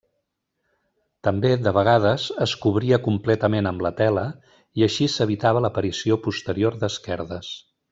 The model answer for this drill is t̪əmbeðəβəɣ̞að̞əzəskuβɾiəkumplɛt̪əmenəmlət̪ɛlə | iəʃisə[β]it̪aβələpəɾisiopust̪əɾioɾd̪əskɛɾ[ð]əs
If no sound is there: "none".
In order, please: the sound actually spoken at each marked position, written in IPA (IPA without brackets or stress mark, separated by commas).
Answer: β, ð